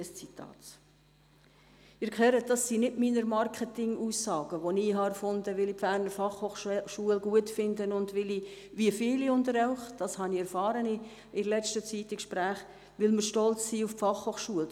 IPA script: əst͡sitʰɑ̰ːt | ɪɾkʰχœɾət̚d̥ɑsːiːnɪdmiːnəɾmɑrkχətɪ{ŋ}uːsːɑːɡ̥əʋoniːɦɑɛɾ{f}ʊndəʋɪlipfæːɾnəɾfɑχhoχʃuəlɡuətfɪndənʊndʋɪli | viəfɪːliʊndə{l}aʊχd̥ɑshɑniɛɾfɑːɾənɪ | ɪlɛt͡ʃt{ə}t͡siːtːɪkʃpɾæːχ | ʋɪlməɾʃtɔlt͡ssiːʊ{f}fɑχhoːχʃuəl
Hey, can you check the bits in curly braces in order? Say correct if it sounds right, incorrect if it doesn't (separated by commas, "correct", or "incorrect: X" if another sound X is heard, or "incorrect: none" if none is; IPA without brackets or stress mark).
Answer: correct, correct, incorrect: ɾ, correct, correct